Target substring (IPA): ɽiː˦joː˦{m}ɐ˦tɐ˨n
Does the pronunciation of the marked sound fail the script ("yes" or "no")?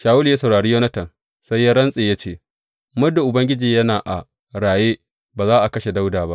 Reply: yes